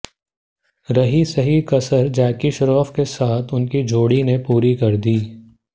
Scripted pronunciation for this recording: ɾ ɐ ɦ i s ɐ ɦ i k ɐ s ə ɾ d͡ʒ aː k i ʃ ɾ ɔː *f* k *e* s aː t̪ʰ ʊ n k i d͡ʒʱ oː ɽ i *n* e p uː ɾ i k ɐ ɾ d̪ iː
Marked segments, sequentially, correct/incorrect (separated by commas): correct, correct, correct